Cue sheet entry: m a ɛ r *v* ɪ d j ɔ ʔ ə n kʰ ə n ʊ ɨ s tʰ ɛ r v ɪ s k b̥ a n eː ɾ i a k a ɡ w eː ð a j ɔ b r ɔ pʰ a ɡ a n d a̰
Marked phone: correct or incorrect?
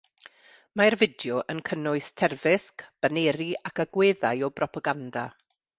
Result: correct